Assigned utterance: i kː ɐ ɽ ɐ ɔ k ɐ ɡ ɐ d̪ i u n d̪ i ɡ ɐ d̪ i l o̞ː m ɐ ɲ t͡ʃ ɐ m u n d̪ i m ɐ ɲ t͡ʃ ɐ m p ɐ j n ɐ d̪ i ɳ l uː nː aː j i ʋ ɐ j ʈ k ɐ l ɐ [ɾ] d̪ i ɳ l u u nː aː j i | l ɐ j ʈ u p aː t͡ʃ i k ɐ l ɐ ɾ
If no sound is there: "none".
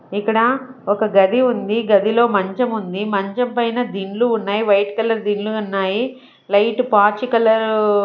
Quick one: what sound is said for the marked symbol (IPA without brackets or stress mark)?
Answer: ɾ